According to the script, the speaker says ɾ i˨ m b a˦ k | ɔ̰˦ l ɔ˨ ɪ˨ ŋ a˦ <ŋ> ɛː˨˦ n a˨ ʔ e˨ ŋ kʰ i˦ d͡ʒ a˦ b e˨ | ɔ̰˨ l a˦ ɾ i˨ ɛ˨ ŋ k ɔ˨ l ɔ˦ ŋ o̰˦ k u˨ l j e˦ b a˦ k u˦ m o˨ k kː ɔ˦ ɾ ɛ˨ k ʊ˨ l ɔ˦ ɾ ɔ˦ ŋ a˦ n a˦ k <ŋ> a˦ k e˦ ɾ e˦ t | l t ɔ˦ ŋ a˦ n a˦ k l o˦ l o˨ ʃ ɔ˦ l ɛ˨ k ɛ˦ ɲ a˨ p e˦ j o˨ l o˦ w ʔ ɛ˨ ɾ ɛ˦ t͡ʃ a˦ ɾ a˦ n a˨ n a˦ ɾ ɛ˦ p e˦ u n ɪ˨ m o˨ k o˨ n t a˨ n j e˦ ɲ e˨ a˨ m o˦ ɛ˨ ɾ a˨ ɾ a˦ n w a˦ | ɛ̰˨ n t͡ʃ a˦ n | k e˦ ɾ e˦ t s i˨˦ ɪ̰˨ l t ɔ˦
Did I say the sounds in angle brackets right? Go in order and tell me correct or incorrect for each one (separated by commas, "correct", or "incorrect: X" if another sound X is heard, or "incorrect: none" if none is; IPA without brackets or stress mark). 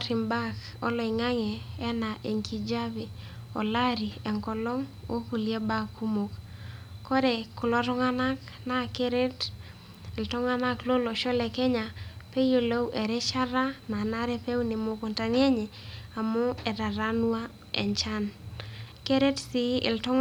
correct, incorrect: n